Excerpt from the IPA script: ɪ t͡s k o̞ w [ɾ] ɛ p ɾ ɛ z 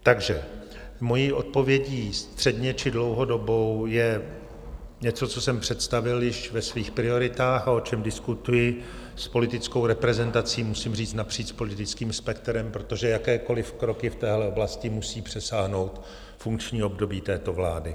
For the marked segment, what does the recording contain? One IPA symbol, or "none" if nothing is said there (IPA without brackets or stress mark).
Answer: ɾ